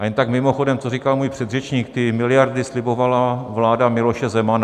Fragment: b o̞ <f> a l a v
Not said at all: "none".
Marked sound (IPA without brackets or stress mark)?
v